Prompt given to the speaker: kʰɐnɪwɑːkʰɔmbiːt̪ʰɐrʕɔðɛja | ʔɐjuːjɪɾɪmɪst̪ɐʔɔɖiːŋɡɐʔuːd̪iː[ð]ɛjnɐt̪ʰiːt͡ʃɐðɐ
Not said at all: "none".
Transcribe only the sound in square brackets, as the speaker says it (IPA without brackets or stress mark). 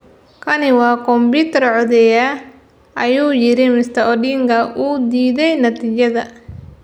ð